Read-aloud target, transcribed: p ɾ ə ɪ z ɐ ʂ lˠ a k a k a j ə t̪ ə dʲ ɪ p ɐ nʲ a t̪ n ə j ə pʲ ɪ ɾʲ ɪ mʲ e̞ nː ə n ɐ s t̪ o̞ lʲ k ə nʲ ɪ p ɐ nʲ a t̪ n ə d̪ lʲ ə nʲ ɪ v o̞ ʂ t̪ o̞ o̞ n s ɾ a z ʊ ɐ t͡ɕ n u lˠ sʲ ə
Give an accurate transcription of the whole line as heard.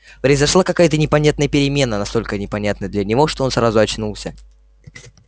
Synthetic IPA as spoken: p ɾ ə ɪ z ɐ ʂ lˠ a k ɐ k a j ə t̪ ə nʲ ɪ p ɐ nʲ a t̪ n ə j ə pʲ ɪ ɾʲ ɪ mʲ e̞ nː ə n ɐ s t̪ o̞ lʲ k ə nʲ ɪ p ɐ nʲ a t̪ n ə d̪ lʲ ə nʲ ɪ v o̞ ʂ t̪ o̞ o̞ n s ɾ a z ʊ ɐ t͡ɕ n u lˠ sʲ ə